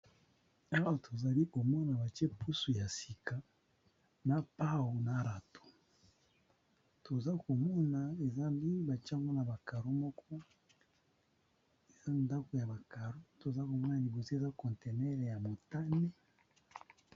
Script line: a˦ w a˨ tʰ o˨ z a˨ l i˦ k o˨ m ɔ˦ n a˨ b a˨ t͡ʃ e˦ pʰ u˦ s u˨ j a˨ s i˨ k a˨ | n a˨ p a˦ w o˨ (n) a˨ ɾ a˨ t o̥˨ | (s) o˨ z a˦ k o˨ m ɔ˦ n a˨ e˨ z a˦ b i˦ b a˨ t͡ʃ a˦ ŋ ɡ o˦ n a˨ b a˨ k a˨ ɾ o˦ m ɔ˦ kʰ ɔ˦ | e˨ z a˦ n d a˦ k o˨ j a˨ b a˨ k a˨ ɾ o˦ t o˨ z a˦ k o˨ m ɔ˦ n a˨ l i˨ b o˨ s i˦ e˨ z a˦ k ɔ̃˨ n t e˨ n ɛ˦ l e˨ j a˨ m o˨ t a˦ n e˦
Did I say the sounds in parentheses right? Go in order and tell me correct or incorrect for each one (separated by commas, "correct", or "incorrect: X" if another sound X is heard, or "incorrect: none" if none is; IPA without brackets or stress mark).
correct, incorrect: t